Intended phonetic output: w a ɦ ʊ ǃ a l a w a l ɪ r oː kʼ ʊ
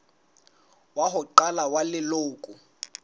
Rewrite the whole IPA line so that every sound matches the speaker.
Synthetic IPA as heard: w a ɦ ʊ ǃ a l a w a l ɪ l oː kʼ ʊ

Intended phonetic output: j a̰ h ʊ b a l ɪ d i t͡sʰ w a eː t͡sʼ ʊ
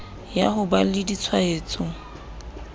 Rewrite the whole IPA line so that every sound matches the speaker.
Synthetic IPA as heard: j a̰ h ʊ b a l ɪ d i t͡sʰ w a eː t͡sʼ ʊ

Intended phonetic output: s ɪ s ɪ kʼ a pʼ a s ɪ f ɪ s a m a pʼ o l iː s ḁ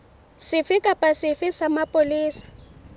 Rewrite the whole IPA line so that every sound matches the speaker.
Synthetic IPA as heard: s ɪ f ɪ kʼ a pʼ a s ɪ f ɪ s a m a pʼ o l iː s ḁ

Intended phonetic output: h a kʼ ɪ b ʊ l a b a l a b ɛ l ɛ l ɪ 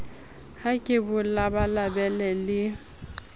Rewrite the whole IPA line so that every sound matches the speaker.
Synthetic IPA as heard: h a kʼ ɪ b ʊ l a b a l a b ɛ l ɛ l ɪ

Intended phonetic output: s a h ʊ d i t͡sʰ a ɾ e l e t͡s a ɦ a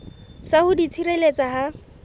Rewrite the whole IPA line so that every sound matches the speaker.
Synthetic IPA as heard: s a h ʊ d i t͡sʰ i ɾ e l e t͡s a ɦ a

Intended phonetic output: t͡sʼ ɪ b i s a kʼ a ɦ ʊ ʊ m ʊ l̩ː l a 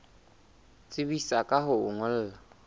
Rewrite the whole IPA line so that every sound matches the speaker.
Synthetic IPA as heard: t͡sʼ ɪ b i s a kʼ a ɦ ʊ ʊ ŋ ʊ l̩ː l a

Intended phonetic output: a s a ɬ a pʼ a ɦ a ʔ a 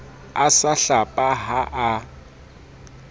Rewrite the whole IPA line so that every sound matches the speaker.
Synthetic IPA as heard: a s a ɬ a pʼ a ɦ a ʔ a

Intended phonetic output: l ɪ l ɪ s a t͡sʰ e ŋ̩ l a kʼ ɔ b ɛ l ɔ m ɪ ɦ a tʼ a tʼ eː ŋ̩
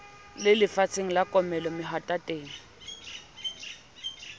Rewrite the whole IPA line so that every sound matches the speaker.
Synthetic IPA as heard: l ɪ l ɪ f a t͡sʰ e ŋ̩ l a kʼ ɔ m ɛ l ɔ m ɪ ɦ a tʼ a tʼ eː ŋ̩

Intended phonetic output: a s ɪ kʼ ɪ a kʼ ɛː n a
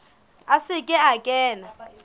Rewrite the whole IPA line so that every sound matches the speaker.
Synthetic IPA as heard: a s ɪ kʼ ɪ a kʼ ɛː n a

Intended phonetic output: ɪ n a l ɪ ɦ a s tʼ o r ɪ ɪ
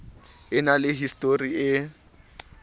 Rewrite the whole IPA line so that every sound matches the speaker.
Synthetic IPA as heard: ɪ n a l ɪ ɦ i s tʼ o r i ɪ

